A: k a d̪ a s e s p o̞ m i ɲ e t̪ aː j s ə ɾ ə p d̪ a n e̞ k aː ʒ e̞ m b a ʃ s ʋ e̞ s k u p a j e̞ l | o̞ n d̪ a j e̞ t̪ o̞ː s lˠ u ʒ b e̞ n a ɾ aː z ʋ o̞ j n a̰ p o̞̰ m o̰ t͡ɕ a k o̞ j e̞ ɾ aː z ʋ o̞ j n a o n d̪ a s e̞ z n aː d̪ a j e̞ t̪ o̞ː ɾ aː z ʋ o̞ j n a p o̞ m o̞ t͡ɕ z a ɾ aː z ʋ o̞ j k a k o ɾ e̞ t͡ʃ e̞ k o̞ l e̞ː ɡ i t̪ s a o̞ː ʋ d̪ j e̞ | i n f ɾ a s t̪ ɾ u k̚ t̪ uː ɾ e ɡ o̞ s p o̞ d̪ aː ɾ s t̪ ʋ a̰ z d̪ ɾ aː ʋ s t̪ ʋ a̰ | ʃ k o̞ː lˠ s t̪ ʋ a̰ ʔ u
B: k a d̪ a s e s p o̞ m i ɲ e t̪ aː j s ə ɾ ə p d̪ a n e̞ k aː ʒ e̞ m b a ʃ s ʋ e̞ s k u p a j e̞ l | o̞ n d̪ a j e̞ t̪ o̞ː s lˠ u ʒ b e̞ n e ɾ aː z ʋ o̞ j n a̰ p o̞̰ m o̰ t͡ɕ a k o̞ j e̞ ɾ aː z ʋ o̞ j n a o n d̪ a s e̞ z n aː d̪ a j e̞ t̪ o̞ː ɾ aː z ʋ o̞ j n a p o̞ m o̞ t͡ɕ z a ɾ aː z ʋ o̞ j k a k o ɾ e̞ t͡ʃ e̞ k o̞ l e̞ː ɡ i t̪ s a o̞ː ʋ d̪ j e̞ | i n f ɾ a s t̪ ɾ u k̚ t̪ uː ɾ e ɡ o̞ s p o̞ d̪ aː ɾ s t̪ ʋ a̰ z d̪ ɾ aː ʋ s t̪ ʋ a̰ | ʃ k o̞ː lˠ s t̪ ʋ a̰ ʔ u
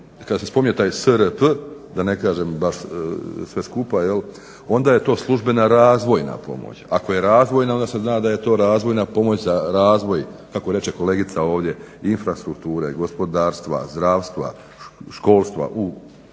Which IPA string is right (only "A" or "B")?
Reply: A